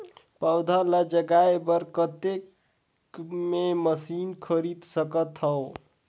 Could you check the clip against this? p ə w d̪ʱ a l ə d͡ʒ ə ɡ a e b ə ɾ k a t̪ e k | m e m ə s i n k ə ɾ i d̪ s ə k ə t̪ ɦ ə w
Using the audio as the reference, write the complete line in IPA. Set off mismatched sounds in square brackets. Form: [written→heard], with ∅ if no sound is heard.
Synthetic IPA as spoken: p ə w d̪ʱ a l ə d͡ʒ ə ɡ a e b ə ɾ k [a→ə] t̪ e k | m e m ə s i n [k→kʰ] ə ɾ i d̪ s ə k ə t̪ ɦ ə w